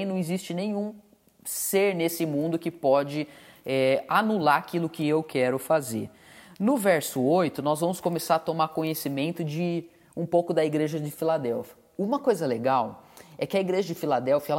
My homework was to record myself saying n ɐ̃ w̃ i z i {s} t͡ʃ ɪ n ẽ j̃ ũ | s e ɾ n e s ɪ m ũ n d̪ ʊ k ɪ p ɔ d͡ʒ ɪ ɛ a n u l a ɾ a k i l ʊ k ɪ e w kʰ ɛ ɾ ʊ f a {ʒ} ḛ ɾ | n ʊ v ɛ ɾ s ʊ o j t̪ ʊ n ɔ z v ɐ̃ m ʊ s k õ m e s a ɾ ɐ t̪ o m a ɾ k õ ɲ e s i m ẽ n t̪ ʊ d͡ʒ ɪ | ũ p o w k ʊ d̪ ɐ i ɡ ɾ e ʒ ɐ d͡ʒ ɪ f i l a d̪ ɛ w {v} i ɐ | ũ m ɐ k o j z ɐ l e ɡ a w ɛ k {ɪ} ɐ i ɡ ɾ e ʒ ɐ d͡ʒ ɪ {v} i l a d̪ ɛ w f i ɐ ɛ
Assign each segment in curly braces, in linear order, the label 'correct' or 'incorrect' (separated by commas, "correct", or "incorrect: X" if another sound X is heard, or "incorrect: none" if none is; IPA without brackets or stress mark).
correct, incorrect: z, incorrect: f, correct, incorrect: f